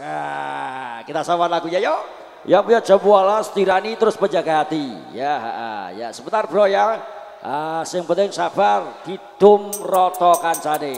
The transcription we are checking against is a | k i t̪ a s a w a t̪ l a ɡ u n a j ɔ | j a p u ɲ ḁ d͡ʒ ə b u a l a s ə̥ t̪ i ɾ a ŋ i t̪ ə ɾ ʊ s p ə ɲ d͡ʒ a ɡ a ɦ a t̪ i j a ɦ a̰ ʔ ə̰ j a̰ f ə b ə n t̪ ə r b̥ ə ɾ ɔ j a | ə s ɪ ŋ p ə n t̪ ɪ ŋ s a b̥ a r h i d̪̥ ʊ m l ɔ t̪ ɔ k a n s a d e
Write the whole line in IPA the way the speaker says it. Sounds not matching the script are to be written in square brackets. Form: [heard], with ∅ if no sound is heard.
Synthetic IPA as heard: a | k i t̪ a s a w a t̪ l a ɡ u [ɲ] a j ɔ | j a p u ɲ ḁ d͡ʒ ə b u a l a s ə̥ t̪ i ɾ a [n] i t̪ ə ɾ ʊ s p ə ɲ d͡ʒ a ɡ a ɦ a t̪ i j a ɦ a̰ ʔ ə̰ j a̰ [s] ə b ə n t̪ [a] r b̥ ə ɾ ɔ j a | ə s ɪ ŋ p ə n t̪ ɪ ŋ s a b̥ a r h i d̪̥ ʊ m [r] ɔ t̪ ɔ k a n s a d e

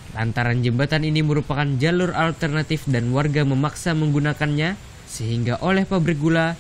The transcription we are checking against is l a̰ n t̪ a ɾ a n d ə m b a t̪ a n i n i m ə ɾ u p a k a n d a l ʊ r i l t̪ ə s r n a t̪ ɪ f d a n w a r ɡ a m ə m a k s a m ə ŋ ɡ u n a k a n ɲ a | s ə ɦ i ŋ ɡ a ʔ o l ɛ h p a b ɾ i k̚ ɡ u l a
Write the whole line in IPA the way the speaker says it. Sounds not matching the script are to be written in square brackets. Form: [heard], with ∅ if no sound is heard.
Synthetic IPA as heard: l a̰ n t̪ a ɾ a n [d͡ʒ] ə m b a t̪ a n i n i m ə ɾ u p a k a n [d͡ʒ] a l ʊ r [a] l t̪ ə [∅] r n a t̪ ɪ f d a n w a r ɡ a m ə m a k s a m ə ŋ ɡ u n a k a n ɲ a | s ə ɦ i ŋ ɡ a ʔ o l ɛ h p a b ɾ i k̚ ɡ u l a

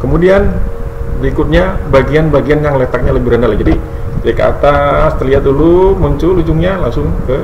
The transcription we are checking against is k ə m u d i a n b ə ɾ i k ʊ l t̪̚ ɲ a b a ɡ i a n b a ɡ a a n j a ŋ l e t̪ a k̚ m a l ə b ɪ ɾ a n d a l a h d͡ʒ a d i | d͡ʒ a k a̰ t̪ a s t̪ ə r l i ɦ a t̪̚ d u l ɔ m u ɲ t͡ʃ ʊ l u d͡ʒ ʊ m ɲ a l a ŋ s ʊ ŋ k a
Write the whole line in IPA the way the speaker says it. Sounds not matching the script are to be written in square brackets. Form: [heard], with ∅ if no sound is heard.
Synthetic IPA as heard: k ə m u d i a n b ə ɾ i k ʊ [∅] t̪̚ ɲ a b a ɡ i a n b a ɡ [i] a n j a ŋ l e t̪ a k̚ [ɲ] a l ə b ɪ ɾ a n d a l a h d͡ʒ a d i | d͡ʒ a k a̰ t̪ a s t̪ ə r l i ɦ a t̪̚ d u l [u] m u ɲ t͡ʃ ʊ l u d͡ʒ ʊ [ŋ] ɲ a l a ŋ s ʊ ŋ k [ə]

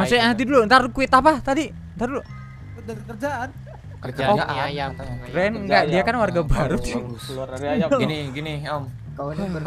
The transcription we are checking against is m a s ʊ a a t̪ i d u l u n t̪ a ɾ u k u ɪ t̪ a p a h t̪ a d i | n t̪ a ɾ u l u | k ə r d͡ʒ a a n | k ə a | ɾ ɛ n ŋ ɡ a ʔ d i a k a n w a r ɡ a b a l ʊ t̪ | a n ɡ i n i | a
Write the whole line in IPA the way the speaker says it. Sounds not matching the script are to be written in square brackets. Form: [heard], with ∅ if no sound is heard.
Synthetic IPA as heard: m a s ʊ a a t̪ i d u l u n t̪ a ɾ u k u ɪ t̪ a p a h t̪ a d i | n t̪ a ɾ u l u | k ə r d͡ʒ a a n | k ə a | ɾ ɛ n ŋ ɡ a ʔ d i a k a n w a r ɡ a b a [ɾ] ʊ t̪ | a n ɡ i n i | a

